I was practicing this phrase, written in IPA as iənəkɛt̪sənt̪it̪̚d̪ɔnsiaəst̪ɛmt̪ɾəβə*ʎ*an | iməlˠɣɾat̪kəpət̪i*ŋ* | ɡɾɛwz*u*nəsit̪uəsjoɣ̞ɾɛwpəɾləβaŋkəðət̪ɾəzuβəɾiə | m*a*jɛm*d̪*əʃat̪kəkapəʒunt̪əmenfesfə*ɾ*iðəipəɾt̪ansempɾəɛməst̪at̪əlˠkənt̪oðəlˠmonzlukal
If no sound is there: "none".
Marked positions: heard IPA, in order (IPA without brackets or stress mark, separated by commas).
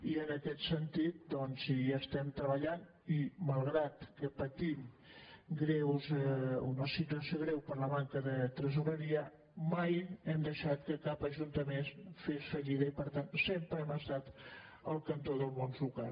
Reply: ʎ, m, u, a, d̪, ʎ